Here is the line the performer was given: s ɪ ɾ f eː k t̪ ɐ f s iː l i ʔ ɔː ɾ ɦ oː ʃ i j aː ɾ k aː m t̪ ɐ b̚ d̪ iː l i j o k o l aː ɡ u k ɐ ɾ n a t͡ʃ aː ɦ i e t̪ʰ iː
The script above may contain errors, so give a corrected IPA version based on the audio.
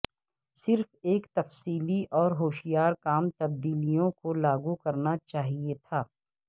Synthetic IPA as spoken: s ɪ ɾ f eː k t̪ ɐ f s iː l i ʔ ɔː ɾ ɦ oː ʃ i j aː ɾ k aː m t̪ ɐ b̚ d̪ iː l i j õ k o l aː ɡ u k ɐ ɾ n a t͡ʃ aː ɦ i e t̪ʰ aː

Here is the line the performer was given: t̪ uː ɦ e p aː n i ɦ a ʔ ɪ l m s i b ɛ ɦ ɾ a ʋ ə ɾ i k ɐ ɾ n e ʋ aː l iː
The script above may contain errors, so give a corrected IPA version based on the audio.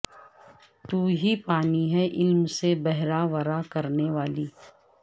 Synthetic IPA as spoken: t̪ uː ɦ i p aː n i ɦ ɛ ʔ ɪ l m s e b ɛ ɦ ɾ a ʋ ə ɾ a k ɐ ɾ n e ʋ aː l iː

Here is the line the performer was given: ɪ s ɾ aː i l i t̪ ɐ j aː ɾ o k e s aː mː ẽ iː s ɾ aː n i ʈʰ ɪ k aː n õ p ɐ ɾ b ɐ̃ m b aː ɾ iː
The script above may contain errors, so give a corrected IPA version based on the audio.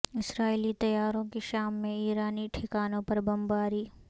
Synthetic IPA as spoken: ɪ s ɾ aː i l i t̪ ɐ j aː ɾ õ k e ʃ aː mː ẽ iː ɾ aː n i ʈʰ ɪ k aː n õ p ɐ ɾ b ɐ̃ m b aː ɾ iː

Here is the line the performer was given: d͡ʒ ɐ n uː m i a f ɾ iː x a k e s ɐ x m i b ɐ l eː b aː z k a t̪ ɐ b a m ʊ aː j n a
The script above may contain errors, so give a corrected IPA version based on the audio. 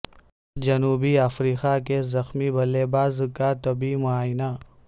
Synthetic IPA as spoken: d͡ʒ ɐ n uː b i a f ɾ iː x a k e z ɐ x m i b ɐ l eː b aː z k a t̪ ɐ b i m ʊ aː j n a

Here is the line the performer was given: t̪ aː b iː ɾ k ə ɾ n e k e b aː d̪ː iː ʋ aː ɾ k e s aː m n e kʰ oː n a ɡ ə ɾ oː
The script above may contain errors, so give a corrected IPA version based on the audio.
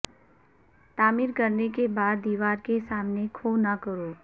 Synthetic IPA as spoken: t̪ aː m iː ɾ k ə ɾ n e k e b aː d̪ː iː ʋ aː ɾ k e s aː m n e kʰ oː n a k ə ɾ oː

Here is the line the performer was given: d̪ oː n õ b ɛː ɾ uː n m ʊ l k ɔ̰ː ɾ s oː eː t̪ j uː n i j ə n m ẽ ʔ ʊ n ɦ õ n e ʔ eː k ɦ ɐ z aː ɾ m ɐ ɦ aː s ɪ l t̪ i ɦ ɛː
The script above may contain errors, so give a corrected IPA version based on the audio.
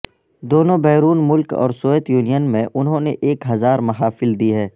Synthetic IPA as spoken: d̪ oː n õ b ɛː ɾ uː n m ʊ l k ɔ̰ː ɾ s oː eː t̪ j uː n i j ə n m ẽ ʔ ʊ n ɦ õ n e ʔ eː k ɦ ɐ z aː ɾ m ɐ ɦ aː f ɪ l d̪ i ɦ ɛː

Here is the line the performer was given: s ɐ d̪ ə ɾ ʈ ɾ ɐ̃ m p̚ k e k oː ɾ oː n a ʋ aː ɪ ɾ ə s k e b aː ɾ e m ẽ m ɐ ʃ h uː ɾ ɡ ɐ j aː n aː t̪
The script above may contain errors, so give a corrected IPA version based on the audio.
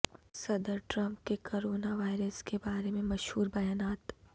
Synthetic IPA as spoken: s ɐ d̪ ə ɾ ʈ ɾ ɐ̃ m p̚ k e k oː ɾ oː n a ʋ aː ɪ ɾ ə s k e b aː ɾ e m ẽ m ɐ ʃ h uː ɾ b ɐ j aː n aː t̪

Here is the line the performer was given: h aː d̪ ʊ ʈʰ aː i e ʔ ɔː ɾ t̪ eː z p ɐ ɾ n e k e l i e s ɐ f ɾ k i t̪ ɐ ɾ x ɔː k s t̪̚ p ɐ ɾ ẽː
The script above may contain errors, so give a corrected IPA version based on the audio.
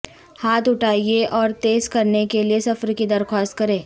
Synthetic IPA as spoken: h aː t̪ ʊ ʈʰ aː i e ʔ ɔː ɾ t̪ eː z k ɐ ɾ n e k e l i e s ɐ f ɾ k i d̪ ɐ ɾ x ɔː s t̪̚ k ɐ ɾ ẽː

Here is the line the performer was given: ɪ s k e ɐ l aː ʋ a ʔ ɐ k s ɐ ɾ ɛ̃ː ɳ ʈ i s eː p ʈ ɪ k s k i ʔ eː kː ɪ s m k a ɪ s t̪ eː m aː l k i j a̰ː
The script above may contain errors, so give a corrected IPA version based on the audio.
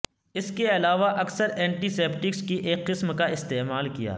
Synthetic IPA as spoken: ɪ s k e ɐ l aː ʋ a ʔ ɐ k s ə ɾ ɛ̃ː ɳ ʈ i s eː p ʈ ɪ k s k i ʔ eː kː ɪ s m k a ɪ s t̪ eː m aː l k i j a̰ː

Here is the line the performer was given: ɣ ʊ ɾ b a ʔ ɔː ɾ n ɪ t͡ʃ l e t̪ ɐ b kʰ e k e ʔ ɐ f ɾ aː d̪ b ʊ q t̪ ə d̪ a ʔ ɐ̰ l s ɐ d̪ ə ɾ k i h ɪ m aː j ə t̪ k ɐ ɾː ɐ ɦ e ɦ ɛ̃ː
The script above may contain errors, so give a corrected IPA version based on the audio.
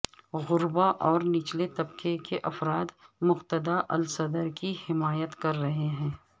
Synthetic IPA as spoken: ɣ ʊ ɾ b a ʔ ɔː ɾ n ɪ t͡ʃ l e t̪ ɐ b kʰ e k e ʔ ɐ f ɾ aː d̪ m ʊ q t̪ ə d̪ a ʔ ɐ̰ l s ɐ d̪ ə ɾ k i h ɪ m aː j ə t̪ k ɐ ɾː ɐ ɦ e ɦ ɛ̃ː

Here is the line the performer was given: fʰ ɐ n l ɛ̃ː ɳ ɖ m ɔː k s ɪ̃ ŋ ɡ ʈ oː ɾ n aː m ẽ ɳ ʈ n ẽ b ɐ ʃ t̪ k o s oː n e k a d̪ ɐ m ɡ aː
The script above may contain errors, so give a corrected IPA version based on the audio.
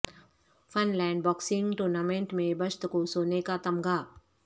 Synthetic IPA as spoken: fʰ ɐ n l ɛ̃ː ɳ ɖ b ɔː k s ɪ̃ ŋ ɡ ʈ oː ɾ n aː m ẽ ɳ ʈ m ẽ b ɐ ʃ t̪ k o s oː n e k a t̪ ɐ m ɡ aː

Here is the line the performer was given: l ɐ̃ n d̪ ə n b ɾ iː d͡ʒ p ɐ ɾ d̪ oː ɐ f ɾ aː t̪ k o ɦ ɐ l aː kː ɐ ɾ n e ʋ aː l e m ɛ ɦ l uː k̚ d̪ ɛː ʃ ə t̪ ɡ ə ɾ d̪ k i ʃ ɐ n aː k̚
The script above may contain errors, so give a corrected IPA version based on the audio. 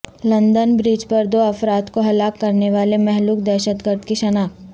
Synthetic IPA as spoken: l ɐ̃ n d̪ ə n b ɾ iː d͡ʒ p ɐ ɾ d̪ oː ɐ f ɾ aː t̪ k o ɦ ɐ l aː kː ɐ ɾ n e ʋ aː l e m ɛ ɦ l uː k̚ d̪ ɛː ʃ ə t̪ ɡ ə ɾ d̪ k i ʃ ɐ n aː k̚

